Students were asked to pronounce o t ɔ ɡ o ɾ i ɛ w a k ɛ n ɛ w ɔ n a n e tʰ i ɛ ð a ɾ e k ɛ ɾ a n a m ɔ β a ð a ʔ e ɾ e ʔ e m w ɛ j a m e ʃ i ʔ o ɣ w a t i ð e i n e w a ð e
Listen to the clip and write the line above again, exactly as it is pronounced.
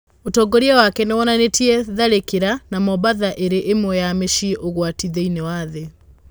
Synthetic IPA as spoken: o t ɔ ɡ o ɾ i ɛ w a k ɛ n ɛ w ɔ n a n e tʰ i ɛ ð a ɾ e k e ɾ a n a m ɔ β a ð a ʔ e ɾ e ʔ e m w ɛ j a m e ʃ i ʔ o ɣ w a t i ð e i n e w a ð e